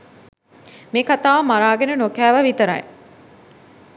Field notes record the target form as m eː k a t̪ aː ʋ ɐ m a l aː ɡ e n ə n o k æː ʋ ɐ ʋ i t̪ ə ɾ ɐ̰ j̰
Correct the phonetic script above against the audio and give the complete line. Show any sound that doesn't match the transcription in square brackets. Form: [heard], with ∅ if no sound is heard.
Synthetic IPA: m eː k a t̪ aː ʋ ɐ m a [ɾ] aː ɡ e n ə n o k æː ʋ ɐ ʋ i t̪ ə ɾ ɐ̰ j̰